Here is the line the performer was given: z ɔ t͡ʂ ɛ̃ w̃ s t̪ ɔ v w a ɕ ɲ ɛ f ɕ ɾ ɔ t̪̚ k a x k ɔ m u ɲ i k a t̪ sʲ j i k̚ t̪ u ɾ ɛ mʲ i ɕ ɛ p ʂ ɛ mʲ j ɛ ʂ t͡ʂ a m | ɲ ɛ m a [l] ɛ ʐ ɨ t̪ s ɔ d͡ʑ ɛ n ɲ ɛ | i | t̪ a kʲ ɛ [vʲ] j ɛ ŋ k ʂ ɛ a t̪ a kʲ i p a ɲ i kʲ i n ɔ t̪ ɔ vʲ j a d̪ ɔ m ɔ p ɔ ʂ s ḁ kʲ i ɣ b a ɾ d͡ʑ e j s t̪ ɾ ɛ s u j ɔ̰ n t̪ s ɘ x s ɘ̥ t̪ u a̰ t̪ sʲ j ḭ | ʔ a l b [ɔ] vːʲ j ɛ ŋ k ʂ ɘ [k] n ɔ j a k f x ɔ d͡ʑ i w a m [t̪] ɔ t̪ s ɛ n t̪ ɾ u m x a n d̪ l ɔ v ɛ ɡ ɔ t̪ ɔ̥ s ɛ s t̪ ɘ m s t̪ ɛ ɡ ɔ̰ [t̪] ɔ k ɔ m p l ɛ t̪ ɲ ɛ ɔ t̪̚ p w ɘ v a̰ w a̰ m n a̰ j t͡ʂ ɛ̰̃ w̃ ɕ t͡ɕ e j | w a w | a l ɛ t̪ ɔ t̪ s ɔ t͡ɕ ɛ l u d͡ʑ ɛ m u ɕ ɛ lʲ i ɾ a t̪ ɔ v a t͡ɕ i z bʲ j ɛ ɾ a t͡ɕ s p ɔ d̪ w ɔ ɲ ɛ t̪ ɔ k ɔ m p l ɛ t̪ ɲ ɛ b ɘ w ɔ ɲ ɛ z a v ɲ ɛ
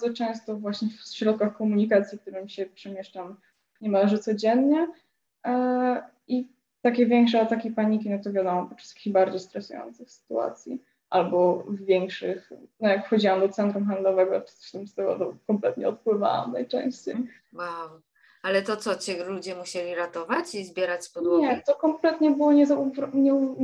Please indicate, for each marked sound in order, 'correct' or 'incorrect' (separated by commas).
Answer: correct, correct, correct, incorrect, incorrect, correct